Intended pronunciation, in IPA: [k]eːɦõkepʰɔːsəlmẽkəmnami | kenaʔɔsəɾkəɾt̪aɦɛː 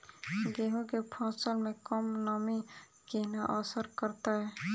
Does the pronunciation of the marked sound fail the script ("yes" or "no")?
yes